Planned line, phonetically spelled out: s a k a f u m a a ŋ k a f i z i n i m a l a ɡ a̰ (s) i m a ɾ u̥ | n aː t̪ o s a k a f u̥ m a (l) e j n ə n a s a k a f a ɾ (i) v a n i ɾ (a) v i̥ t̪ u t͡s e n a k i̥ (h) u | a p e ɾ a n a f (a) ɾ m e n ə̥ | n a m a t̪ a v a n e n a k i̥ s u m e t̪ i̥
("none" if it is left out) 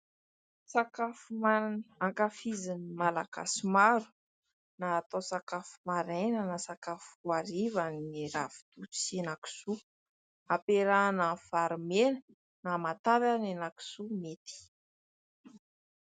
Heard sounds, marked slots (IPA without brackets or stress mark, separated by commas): s, ɾ, i, a, s, a